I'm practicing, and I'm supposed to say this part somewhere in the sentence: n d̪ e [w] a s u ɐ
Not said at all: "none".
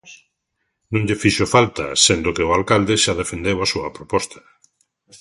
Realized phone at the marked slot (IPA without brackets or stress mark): w